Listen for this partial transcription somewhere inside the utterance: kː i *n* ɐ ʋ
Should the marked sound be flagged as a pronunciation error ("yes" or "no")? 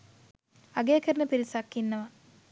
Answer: yes